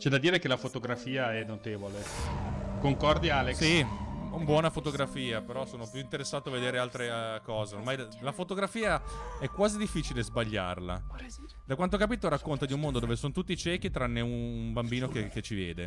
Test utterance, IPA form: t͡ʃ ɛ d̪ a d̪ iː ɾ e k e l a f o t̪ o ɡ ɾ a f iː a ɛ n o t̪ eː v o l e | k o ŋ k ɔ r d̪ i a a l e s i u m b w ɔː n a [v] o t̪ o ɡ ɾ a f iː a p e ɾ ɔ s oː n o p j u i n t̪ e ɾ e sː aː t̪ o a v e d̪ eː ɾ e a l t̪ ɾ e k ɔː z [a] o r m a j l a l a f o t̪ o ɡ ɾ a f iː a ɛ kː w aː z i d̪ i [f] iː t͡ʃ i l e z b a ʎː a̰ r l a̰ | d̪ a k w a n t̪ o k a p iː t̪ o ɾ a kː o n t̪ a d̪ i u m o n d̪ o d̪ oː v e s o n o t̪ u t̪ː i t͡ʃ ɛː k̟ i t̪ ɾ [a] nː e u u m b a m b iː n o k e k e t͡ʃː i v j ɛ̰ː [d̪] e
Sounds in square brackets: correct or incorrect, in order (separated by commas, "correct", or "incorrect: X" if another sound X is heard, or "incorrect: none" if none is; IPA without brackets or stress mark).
incorrect: f, incorrect: e, incorrect: fː, correct, correct